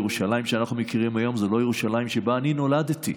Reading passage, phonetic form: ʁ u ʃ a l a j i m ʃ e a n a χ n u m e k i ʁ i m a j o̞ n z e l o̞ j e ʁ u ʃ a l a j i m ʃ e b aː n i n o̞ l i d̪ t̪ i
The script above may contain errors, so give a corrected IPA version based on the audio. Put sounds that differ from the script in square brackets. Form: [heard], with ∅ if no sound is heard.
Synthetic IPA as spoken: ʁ u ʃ a l a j i m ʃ e a n a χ n u m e k i ʁ i m a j o̞ [m] z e l o̞ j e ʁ u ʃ a l a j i m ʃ e b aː n i n o̞ l [a] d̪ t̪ i